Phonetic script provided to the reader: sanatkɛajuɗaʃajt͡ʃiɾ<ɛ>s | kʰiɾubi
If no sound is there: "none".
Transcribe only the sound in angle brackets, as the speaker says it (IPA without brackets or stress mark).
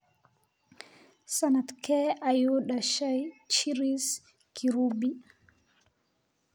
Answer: i